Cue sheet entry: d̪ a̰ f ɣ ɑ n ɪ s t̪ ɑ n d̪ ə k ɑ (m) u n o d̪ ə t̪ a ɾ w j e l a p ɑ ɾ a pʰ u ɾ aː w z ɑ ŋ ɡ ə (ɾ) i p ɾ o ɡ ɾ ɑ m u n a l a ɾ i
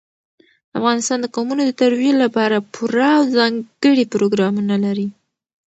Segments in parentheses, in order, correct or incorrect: correct, incorrect

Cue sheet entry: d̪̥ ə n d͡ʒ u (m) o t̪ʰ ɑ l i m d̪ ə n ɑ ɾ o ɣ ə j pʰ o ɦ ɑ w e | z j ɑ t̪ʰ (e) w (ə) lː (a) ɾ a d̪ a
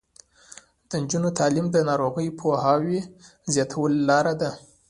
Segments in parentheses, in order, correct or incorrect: incorrect, incorrect, correct, incorrect

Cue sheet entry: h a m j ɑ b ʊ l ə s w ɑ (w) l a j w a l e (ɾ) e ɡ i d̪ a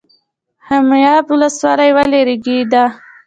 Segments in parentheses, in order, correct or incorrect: incorrect, correct

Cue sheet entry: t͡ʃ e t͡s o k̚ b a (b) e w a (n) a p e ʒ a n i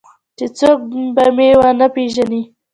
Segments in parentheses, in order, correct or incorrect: incorrect, correct

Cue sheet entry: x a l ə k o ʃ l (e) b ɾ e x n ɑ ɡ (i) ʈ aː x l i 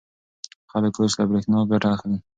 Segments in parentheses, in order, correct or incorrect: incorrect, incorrect

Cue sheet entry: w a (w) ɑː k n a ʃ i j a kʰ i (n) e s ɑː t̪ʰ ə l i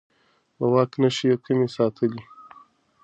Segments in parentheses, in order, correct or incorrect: correct, incorrect

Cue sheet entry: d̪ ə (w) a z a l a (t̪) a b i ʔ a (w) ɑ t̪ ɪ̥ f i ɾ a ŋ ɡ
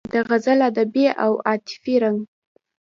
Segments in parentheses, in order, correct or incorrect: incorrect, incorrect, correct

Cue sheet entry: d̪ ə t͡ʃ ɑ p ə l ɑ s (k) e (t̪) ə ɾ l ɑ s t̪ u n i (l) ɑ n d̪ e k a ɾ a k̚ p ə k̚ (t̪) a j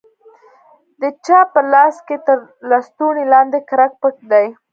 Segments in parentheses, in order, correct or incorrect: correct, correct, correct, incorrect

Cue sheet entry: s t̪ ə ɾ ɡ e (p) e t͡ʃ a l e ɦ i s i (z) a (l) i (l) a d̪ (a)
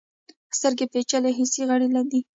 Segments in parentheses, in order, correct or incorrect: correct, incorrect, incorrect, correct, incorrect

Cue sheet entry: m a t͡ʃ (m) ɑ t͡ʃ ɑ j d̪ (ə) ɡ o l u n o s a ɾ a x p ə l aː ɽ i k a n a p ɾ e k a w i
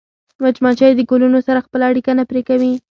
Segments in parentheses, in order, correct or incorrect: correct, correct

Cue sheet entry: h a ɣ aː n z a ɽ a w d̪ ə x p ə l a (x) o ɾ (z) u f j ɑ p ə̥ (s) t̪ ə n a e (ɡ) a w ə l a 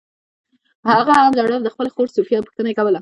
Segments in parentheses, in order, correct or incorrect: correct, incorrect, incorrect, incorrect

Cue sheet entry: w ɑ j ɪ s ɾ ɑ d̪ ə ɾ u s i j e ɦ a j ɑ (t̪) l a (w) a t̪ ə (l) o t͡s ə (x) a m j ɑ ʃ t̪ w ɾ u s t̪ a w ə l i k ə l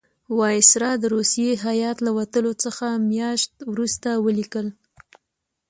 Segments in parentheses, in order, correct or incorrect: correct, correct, correct, correct

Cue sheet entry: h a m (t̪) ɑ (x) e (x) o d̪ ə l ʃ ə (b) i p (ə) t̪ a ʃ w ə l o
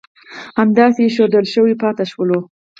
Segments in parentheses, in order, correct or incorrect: incorrect, incorrect, incorrect, incorrect, incorrect

